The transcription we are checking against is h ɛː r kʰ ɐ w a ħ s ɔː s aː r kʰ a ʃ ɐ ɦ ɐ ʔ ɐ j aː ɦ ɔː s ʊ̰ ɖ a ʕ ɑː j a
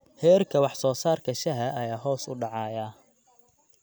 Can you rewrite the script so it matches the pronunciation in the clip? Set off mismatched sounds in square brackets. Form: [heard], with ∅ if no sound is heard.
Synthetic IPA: h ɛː r kʰ ɐ w [ɑ] ħ s ɔː s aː r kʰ [ɐ] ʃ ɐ ɦ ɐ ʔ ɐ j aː ɦ ɔː s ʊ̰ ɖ [ɑ] ʕ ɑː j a